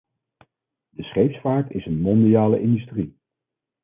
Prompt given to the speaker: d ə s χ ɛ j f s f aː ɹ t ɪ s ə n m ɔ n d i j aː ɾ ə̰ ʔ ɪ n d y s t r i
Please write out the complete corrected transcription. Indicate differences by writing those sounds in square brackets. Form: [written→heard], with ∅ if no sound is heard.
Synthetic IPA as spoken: d ə s χ [ɛ→e] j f s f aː ɹ t ɪ s ə n m ɔ n d i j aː [ɾ→l] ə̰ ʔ ɪ n d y s t r i